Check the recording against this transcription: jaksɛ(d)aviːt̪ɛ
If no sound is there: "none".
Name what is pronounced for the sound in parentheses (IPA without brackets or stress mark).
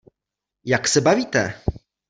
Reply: b